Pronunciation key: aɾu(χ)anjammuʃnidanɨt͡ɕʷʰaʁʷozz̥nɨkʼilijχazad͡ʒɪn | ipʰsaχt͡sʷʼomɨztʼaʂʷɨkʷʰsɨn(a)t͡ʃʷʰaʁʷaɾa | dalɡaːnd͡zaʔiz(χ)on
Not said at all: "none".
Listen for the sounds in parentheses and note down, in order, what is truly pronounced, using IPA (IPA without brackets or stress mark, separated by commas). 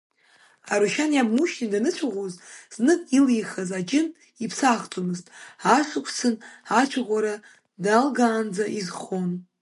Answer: ʃ, a, χ